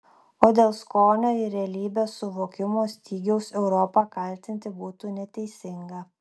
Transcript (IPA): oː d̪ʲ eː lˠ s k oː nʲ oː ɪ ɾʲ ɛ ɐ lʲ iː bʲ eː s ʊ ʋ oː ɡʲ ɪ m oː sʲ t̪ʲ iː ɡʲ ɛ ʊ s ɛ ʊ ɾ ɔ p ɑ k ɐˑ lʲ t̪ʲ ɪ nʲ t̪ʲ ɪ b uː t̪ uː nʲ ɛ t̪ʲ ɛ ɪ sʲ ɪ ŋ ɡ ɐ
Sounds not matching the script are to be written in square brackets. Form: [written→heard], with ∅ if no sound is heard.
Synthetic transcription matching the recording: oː d̪ʲ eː lˠ s k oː nʲ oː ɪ ɾʲ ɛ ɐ lʲ iː bʲ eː s ʊ ʋ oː [ɡʲ→kʲ] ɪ m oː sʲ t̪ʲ iː ɡʲ ɛ ʊ s ɛ ʊ ɾ ɔ p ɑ k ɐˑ lʲ t̪ʲ ɪ nʲ t̪ʲ ɪ b uː t̪ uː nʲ ɛ t̪ʲ ɛ ɪ sʲ ɪ ŋ ɡ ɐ